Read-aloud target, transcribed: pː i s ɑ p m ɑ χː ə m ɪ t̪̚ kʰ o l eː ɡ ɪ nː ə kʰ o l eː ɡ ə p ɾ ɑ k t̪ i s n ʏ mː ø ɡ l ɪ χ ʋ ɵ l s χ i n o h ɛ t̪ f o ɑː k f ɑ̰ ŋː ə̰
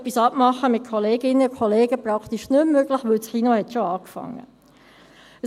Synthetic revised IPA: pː i s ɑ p m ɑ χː ə m ɪ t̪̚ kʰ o l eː ɡ ɪ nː ə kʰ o l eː ɡ ə p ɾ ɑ k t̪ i ʃ n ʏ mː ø ɡ l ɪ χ ʋ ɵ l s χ i n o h ɛ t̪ ʃ o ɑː k f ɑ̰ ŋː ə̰